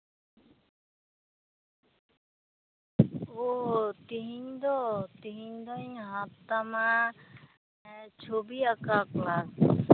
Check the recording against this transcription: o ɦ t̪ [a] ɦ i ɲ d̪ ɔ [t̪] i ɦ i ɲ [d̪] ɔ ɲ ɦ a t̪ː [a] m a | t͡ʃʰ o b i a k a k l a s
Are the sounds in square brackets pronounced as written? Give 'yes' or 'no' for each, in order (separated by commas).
no, yes, yes, yes